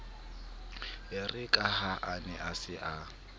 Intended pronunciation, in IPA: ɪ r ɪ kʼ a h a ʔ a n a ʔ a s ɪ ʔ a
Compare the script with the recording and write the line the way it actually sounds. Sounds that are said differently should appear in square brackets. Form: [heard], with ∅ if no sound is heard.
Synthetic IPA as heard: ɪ r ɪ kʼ a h a ʔ a n [ɛ] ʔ a s ɪ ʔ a